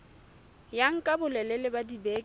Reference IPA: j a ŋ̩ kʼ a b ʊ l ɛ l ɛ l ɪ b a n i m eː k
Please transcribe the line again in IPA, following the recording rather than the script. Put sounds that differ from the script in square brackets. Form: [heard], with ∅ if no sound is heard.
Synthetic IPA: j a ŋ̩ kʼ a b ʊ l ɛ l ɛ l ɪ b a [d] i [b] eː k